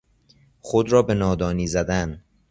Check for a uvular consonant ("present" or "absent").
absent